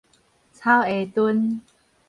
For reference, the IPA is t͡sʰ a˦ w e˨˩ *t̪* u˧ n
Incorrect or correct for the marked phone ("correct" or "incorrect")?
correct